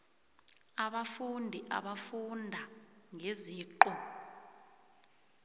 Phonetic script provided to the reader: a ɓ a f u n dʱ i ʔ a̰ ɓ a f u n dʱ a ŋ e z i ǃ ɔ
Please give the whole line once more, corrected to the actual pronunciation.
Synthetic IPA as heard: a ɓ a f u n dʱ i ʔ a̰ ɓ a f u n dʱ a ŋ e z iː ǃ ɔ